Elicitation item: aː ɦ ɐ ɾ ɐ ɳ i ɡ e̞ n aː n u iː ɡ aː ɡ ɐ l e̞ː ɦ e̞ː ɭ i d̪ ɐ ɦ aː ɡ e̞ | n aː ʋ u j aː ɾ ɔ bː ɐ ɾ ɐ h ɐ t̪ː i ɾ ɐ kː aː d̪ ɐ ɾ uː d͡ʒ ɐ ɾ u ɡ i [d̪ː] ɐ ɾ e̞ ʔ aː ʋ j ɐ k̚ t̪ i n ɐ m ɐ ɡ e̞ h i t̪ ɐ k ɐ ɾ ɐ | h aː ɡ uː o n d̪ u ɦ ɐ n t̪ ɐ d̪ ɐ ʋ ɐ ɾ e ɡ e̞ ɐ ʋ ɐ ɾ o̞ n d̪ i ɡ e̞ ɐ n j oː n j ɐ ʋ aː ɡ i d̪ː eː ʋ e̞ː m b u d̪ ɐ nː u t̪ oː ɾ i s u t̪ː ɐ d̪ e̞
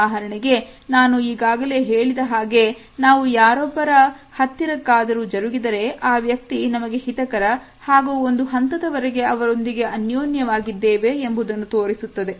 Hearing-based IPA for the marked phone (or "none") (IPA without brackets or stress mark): d̪